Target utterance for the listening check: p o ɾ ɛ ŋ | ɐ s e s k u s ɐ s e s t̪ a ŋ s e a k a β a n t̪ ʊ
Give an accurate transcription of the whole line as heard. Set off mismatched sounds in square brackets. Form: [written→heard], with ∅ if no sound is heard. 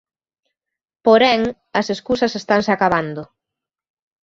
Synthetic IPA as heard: p o ɾ ɛ ŋ | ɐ s e s k u s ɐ s e s t̪ a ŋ s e a k a β a n [t̪→d̪] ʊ